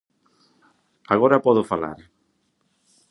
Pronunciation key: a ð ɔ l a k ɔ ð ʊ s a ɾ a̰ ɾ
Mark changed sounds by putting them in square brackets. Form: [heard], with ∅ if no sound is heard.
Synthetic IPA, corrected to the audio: a [ɣ] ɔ [ɾ] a [p] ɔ ð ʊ [f] a [l] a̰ ɾ